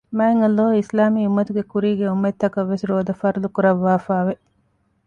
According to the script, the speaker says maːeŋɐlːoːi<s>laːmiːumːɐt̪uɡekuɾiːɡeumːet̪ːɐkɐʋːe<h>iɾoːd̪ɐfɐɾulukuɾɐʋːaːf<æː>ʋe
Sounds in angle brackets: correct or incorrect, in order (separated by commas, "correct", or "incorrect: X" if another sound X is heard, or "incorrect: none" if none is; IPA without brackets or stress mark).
correct, incorrect: s, incorrect: aː